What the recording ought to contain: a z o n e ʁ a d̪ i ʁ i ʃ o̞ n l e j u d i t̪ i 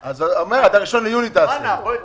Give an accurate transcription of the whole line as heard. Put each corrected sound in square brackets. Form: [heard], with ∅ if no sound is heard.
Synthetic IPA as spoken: a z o [m] e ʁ a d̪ [a] ʁ i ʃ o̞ n l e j u [n] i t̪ [a]

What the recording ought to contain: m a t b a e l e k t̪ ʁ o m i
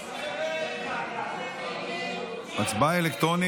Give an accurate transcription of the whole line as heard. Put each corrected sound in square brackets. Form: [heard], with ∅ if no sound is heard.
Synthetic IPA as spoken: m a [t͡s] b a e l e k t̪ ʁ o [n] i

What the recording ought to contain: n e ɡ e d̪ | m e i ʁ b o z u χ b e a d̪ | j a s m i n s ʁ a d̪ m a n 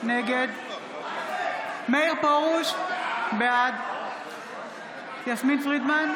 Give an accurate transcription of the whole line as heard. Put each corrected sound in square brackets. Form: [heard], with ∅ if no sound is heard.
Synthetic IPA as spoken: n e ɡ e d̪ | m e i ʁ [p] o [ʁ] u [ʃ] b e a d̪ | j a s m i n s ʁ [i] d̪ m a n

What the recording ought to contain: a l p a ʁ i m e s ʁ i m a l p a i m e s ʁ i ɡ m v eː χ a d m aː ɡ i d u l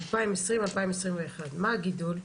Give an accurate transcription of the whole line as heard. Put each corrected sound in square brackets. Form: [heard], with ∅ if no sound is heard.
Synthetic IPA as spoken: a l p a [∅] i m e s ʁ i m a l p a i m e s ʁ i [∅] m v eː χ a d m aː ɡ i d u l

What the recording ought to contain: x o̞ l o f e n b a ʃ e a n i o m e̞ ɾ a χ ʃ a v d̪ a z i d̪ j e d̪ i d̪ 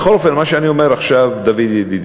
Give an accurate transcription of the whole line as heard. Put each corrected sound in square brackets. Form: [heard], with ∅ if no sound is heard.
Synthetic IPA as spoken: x o̞ l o f e n [m] a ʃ e a n i o m e̞ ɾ a χ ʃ a v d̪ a [v] i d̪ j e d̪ i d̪

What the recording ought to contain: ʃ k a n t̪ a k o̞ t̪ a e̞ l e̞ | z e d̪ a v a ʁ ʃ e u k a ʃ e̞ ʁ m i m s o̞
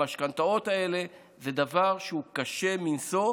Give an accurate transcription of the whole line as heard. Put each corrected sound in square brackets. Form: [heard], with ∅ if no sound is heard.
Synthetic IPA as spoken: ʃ k a n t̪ a [∅] o̞ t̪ a e̞ l e̞ | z e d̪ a v a ʁ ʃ e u k a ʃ e̞ [∅] m i [n] s o̞

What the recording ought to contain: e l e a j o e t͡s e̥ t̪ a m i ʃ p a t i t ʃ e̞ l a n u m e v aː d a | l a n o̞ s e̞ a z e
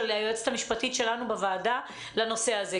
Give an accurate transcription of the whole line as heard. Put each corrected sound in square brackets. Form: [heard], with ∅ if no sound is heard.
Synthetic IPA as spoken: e l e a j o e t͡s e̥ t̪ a m i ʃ p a t i t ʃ e̞ l a n u [b] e v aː d a | l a n o̞ s e̞ a z e

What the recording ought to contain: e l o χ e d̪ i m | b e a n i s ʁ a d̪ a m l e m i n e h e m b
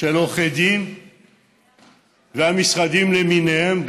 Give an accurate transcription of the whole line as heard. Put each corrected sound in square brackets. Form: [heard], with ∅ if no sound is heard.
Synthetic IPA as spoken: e l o χ e d̪ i m | [v] e a [m] i s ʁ a d̪ [i] m l e m i n e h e m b

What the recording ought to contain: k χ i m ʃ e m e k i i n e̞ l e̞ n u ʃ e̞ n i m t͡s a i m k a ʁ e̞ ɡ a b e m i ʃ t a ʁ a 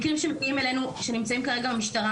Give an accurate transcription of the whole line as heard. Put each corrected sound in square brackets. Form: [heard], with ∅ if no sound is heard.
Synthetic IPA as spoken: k [ʁ] i m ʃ e m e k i i [m] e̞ l e̞ n u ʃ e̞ n i m t͡s a i m k a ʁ e̞ ɡ a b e m i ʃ t a ʁ a

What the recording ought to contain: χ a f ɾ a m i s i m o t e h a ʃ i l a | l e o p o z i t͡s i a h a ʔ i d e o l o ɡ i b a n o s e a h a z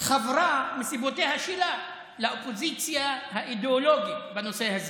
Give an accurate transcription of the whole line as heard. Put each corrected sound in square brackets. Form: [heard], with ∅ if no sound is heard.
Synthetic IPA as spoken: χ a [v] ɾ a m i s i [b] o t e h a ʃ i l a | l [a] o p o z i t͡s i a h a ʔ i d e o l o ɡ i b a n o s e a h a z

